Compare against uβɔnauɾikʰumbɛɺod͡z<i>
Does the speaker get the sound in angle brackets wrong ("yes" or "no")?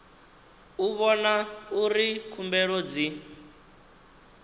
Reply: no